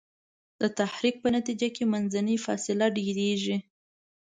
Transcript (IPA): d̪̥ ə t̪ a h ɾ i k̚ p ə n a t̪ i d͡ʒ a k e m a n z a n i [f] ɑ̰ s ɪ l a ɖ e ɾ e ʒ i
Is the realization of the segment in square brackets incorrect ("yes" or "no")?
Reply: no